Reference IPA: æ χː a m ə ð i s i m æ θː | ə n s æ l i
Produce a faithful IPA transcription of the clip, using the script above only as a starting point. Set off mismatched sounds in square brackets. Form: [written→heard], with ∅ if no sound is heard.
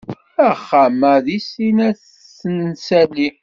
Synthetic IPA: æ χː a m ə ð i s i [m→n] æ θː | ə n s æ l i

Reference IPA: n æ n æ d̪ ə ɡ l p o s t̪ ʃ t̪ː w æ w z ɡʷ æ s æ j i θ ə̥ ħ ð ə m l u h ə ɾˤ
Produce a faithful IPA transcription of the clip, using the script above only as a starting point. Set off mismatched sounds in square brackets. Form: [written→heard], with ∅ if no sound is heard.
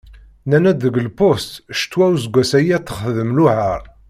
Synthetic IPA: n æ n æ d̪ ə ɡ l p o s t̪ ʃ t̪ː w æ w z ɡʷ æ s æ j [i→æ] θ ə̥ [ħ→χ] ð ə m l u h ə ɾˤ

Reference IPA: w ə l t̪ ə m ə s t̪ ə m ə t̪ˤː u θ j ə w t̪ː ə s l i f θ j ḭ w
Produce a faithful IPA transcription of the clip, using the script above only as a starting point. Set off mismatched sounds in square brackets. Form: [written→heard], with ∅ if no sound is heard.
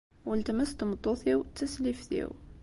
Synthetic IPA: w ə l t̪ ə m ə s t̪ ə m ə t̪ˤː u θ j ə w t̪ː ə s l i f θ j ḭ w

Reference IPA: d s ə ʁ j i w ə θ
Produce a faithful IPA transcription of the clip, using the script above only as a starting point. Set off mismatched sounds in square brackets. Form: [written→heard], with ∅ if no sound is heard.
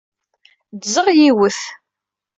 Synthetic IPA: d [s→z] ə ʁ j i w ə θ

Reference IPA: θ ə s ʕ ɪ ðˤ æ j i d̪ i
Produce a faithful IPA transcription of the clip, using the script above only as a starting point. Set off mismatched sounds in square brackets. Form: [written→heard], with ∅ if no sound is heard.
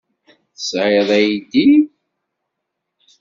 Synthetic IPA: θ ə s ʕ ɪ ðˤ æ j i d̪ i

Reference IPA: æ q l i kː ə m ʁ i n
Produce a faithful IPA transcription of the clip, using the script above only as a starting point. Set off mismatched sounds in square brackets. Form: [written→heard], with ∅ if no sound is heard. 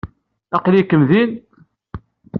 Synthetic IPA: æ q l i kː ə m [ʁ→ð] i n

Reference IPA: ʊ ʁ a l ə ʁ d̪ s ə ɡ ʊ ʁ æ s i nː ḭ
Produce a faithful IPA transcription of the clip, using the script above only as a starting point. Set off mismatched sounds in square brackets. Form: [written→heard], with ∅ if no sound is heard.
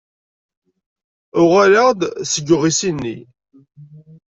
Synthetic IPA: ʊ ʁ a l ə ʁ d̪ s ə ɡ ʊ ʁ [æ→i] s i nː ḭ

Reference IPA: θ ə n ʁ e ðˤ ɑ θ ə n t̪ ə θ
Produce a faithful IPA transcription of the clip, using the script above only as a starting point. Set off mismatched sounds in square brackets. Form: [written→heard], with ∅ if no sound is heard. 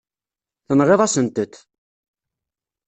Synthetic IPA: θ ə n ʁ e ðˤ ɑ [θ→s] ə n t̪ ə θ

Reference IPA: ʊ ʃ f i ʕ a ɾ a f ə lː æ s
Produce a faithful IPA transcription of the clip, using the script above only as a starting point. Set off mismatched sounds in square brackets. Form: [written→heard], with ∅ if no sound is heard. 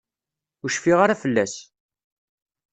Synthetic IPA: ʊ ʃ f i [ʕ→ʁ] a ɾ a f ə lː æ s

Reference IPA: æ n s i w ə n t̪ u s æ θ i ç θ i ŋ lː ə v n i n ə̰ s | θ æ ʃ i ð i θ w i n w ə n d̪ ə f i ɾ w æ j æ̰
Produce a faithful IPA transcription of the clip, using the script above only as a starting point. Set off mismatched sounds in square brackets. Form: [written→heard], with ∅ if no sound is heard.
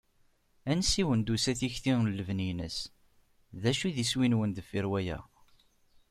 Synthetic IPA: æ n s i w ə n [t̪→d̪] u s æ θ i ç θ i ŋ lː ə v n i n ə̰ s | [θ→ð] æ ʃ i ð i [θ→s] w i n w ə n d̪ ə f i ɾ w æ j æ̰

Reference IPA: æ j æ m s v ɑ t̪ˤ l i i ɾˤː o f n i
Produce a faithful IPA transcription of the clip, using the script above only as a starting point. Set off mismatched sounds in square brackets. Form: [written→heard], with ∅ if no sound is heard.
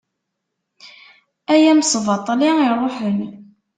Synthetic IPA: æ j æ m s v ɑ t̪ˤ l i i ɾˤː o [f→ħ] n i

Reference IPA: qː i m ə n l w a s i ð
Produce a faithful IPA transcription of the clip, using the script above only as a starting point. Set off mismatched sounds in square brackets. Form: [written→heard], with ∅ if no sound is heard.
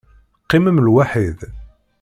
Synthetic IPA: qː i m ə [n→m] l w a [s→ħ] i ð

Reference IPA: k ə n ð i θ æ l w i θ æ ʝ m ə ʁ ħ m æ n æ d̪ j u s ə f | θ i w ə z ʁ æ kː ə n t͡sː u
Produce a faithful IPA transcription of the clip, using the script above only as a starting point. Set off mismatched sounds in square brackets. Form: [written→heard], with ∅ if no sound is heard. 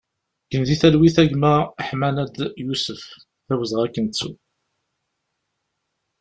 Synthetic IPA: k ə n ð i θ æ l w i θ æ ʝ m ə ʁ ħ m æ n æ d̪ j u s ə f | θ [i→æ] w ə z ʁ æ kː ə n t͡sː u

